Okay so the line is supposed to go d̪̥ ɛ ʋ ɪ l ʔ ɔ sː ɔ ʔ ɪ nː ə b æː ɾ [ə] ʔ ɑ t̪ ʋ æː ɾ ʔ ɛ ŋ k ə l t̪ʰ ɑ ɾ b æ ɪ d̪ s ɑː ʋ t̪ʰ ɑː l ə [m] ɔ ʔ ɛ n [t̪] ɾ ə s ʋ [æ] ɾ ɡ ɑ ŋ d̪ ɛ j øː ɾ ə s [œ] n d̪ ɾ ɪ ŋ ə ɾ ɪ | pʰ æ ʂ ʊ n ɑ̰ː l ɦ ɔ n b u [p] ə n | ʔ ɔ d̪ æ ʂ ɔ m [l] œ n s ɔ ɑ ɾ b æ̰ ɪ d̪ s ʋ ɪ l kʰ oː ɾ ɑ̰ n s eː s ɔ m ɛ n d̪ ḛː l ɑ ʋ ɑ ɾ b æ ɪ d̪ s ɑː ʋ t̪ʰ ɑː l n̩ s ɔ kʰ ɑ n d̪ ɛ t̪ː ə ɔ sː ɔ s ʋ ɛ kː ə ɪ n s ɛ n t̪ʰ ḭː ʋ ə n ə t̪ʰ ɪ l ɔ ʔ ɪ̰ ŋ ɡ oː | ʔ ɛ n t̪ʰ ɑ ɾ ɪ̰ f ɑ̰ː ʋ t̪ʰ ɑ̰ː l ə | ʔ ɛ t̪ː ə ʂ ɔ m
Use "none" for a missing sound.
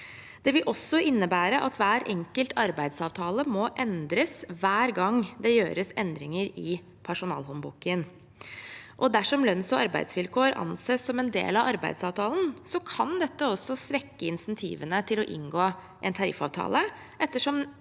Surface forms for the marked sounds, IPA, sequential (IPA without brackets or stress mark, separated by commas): ə, m, d̪, æː, ɛ, k, l